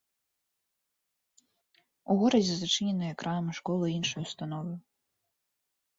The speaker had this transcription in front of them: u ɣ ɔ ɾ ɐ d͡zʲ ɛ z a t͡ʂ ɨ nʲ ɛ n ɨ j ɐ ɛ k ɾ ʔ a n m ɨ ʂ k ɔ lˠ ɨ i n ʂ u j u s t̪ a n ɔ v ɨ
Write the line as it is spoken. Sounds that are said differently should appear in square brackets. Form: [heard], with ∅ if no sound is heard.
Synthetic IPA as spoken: u ɣ ɔ ɾ ɐ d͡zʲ ɛ z a t͡ʂ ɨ nʲ ɛ n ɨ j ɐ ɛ k ɾ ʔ a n m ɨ ʂ k ɔ lˠ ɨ i n ʂ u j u s t̪ a n ɔ v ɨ

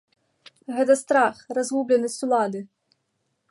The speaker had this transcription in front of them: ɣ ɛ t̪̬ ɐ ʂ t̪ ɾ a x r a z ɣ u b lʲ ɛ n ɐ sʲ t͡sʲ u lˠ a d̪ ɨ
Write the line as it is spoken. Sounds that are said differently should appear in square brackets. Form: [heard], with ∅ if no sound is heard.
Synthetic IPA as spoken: ɣ ɛ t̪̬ ɐ [s] t̪ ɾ a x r a z ɣ u b lʲ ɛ n ɐ sʲ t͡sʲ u lˠ a d̪ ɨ

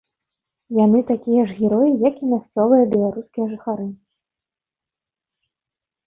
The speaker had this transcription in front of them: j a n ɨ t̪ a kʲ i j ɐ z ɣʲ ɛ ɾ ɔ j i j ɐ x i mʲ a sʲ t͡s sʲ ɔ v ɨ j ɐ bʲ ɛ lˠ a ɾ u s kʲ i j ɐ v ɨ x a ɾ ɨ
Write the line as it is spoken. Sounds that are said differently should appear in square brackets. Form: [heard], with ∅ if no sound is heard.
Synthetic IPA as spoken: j a n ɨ t̪ a kʲ i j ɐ [ʐ] ɣʲ ɛ ɾ ɔ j i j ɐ [k] i mʲ a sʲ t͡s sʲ ɔ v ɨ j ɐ bʲ ɛ lˠ a ɾ u s kʲ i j ɐ [ʐ] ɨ x a ɾ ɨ

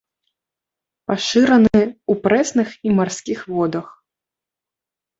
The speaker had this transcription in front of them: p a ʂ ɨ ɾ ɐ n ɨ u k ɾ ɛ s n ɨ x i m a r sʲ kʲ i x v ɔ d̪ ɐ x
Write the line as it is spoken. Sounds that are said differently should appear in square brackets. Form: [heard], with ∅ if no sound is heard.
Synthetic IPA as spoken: p a ʂ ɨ ɾ ɐ n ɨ u [p] ɾ ɛ s n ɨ x i m a r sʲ kʲ i x v ɔ d̪ ɐ x

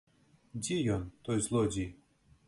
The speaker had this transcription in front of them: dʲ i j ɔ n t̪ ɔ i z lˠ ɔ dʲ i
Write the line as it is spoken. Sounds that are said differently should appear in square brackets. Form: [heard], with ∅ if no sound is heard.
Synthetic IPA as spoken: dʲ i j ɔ n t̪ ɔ [j] z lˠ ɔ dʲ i

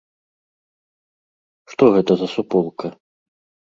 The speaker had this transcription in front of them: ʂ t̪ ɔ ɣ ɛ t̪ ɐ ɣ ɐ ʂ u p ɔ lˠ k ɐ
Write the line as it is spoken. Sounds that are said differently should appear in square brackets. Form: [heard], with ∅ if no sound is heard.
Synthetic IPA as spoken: ʂ t̪ ɔ ɣ ɛ t̪ ɐ [z] ɐ [s] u p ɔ lˠ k ɐ

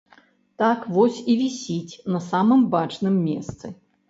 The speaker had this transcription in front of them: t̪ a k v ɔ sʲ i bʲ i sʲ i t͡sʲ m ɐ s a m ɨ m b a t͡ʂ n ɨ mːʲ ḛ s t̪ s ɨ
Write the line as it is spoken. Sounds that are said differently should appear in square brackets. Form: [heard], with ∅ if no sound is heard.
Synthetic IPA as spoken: t̪ a k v ɔ sʲ i [vʲ] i sʲ i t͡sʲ [n] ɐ s a m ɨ m b a t͡ʂ n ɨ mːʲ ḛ s t̪ s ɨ

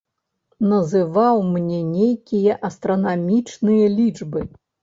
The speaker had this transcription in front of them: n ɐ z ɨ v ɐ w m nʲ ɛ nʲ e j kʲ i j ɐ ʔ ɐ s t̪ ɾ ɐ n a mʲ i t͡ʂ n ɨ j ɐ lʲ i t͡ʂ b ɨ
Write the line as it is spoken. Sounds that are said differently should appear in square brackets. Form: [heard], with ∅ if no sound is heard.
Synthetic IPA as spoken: n ɐ z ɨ v [a] w m nʲ ɛ nʲ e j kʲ i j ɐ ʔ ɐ s t̪ ɾ ɐ n a mʲ i t͡ʂ n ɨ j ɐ lʲ i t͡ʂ b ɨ

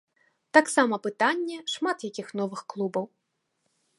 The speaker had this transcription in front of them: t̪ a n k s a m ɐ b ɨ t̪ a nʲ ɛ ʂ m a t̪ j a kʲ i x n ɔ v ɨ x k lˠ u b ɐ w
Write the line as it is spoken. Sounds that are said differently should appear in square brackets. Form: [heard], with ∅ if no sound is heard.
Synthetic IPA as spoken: t̪ a [∅] k s a m ɐ [p] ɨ t̪ a [nʲː] ɛ ʂ m a t̪ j a kʲ i x n ɔ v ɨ x k lˠ u b ɐ w

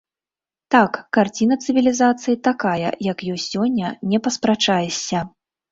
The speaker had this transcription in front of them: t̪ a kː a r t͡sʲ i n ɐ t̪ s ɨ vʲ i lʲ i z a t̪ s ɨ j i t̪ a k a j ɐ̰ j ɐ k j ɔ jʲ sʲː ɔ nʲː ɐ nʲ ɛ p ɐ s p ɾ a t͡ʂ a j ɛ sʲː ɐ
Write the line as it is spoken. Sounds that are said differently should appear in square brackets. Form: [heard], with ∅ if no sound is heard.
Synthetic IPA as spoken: t̪ a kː a r t͡sʲ i n ɐ t̪ s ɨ vʲ i lʲ i z a t̪ s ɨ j i t̪ a k a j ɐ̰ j ɐ k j ɔ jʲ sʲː ɔ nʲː ɐ nʲ ɛ p ɐ s p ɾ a t͡ʂ a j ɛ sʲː ɐ

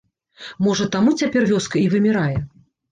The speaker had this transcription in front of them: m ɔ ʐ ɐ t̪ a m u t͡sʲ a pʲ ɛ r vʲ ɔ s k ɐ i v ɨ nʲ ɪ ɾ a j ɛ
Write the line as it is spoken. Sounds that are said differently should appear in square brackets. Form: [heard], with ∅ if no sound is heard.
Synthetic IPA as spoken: m ɔ ʐ ɐ t̪ a m u t͡sʲ a pʲ ɛ r vʲ ɔ s k ɐ i v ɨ [mʲ] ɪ ɾ a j ɛ

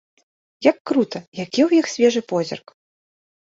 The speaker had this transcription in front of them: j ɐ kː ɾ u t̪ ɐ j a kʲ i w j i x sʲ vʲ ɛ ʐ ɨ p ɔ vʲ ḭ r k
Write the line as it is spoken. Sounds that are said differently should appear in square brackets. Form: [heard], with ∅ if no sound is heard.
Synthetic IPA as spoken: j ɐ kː ɾ u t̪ ɐ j a kʲ i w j i x sʲ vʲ ɛ ʐ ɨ p ɔ [zʲ] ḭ r k

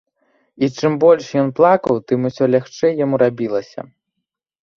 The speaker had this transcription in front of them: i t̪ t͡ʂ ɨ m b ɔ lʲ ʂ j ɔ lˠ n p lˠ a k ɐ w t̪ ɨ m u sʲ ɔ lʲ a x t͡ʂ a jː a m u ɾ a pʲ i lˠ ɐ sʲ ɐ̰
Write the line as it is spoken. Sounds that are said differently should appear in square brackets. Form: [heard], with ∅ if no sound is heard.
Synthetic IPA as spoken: i [∅] t͡ʂ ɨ m b ɔ lʲ ʂ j ɔ [∅] n p lˠ a k ɐ w t̪ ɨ m u sʲ ɔ lʲ a x t͡ʂ [ɛ] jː a m u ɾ a [bʲ] i lˠ ɐ sʲ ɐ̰

